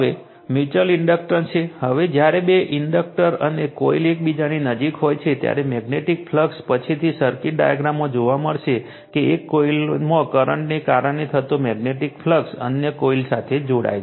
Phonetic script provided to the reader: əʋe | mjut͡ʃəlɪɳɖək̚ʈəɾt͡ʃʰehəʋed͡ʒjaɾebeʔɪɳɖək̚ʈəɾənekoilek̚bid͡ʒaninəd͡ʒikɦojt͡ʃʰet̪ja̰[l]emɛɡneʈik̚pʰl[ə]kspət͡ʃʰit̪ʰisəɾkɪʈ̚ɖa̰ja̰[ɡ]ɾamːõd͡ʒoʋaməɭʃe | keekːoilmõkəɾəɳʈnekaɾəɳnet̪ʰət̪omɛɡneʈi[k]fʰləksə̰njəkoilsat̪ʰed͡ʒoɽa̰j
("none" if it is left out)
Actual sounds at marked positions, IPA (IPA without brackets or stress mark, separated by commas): ɾ, ə, ɡ, k